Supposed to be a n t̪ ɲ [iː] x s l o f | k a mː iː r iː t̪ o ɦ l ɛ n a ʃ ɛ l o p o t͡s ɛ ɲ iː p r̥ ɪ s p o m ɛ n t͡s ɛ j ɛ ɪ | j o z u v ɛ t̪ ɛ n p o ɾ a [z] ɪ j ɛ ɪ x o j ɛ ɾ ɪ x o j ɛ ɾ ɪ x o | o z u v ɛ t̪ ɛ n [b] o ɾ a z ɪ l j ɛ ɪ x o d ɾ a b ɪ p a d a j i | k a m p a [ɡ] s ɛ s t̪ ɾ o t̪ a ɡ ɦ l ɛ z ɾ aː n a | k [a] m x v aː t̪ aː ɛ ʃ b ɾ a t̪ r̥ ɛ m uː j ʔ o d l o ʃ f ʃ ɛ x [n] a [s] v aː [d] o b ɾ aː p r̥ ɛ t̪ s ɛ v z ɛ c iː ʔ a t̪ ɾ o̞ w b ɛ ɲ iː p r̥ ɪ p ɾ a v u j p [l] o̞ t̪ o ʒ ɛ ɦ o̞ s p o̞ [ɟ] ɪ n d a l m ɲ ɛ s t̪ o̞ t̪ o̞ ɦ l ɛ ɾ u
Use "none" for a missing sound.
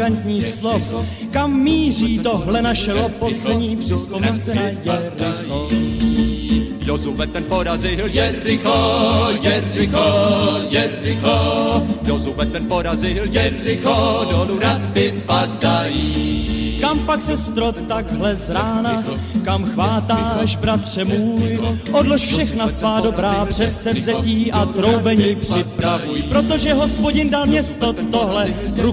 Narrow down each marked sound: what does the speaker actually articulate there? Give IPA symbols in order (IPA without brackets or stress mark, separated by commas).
iː, z, p, k, a, n, s, d, ɾ, ɟ